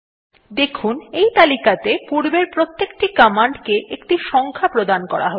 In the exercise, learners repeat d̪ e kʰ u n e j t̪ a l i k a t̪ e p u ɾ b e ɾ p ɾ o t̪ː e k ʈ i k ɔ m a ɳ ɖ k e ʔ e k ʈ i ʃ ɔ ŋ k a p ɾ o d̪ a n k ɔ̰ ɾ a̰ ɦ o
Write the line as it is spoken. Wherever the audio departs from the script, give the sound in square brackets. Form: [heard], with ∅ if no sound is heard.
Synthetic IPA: d̪ e kʰ u n e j t̪ a l i k a t̪ e p u ɾ b e ɾ p ɾ o t̪ː e k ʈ i k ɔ m a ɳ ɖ k e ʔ e k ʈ i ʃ ɔ ŋ [kʰ] a p ɾ o d̪ a n k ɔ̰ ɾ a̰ ɦ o